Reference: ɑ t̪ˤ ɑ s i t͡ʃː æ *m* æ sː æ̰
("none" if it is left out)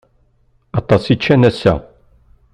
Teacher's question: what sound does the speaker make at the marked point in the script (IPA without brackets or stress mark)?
n